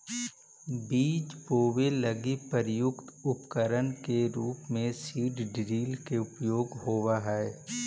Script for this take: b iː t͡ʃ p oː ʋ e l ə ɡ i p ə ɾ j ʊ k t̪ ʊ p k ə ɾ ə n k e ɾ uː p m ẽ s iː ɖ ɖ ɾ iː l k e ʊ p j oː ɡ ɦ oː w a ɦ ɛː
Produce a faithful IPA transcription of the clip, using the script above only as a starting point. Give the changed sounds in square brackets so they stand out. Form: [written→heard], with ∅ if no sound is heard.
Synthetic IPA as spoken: b iː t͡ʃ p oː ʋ e l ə ɡ i p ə ɾ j ʊ k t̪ ʊ p k ə ɾ ə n k e ɾ uː p m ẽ s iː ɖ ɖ ɾ iː l k e ʊ p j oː ɡ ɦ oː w a ɦ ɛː